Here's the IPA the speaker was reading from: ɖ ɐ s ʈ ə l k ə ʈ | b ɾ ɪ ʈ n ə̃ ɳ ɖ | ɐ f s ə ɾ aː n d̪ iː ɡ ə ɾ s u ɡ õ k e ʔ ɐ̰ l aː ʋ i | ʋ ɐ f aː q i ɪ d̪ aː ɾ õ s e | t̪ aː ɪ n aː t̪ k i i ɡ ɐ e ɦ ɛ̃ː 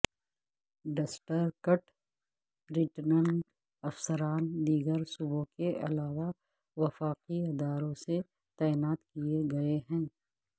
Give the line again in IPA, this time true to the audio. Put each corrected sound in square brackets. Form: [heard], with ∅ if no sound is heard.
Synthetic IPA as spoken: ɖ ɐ s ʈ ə [ɾ] k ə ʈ | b ɾ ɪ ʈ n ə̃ ɳ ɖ | ɐ f s ə ɾ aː n d̪ iː ɡ ə ɾ s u [b] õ k e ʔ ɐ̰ l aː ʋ [a] | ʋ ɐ f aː q i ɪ d̪ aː ɾ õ s e | t̪ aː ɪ n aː t̪ k i [e] ɡ ɐ e ɦ ɛ̃ː